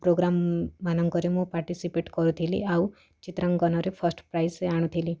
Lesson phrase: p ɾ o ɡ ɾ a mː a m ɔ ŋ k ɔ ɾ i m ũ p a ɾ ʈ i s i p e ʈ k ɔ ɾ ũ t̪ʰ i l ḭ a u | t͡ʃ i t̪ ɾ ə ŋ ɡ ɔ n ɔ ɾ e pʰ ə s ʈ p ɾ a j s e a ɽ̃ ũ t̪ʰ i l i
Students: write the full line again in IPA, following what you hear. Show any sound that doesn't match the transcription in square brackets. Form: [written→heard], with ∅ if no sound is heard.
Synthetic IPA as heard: p ɾ o ɡ ɾ a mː a [m→n] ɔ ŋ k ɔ ɾ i m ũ p a ɾ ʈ i s i p e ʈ k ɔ ɾ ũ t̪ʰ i l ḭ a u | t͡ʃ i t̪ ɾ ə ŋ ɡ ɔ n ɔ ɾ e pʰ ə s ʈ p ɾ a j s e a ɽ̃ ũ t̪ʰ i l i